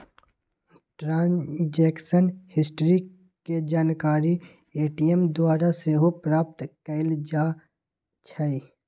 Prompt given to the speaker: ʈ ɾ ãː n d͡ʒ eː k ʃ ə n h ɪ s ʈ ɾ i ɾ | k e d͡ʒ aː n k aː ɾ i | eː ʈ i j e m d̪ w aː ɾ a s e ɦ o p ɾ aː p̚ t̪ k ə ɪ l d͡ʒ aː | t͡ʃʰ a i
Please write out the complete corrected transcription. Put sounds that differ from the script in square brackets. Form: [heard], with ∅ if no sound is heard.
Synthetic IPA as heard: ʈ ɾ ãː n d͡ʒ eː k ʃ ə n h ɪ s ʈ ɾ i [∅] | k e d͡ʒ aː n k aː ɾ i | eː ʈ i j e m d̪ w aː ɾ a s e ɦ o p ɾ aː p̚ t̪ k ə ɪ l d͡ʒ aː | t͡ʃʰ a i